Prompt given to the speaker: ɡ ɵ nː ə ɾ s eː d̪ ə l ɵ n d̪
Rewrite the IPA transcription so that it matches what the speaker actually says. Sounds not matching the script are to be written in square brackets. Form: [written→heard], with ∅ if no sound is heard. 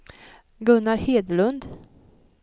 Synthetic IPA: ɡ ɵ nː [ə→a] ɾ [s→h] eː d̪ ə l ɵ n d̪